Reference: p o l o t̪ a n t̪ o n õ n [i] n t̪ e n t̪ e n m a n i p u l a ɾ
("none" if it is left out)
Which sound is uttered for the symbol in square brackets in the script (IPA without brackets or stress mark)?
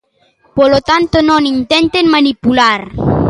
i